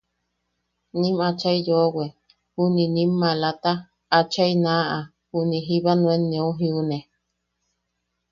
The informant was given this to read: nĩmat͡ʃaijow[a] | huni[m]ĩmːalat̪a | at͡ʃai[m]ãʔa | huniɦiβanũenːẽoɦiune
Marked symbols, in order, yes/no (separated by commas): no, no, no